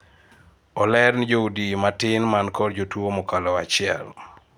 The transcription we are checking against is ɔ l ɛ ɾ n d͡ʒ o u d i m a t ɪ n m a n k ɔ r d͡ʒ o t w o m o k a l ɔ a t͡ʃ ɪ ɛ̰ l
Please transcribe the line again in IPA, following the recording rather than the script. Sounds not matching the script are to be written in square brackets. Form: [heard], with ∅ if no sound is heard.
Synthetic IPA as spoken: ɔ l ɛ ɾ n d͡ʒ o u d i m a t ɪ n m a n k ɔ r d͡ʒ o t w o m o k a l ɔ a t͡ʃ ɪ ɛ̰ l